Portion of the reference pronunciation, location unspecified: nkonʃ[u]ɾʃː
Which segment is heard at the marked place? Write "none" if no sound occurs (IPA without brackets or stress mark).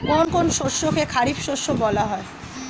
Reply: o